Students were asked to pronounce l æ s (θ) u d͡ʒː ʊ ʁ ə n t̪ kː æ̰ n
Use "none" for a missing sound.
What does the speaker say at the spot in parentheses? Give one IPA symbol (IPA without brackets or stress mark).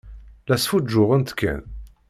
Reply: f